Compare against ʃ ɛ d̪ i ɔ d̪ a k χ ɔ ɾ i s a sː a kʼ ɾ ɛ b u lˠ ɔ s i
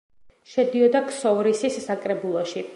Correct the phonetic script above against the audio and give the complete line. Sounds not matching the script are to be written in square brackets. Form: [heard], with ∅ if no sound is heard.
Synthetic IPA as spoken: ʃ ɛ d̪ i ɔ d̪ a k [s] ɔ ɾ i s [i] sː a kʼ ɾ ɛ b u lˠ ɔ [ʃ] i